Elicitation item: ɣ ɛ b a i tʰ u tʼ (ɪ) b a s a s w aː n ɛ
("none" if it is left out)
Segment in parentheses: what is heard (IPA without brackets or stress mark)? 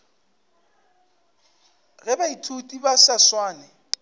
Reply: i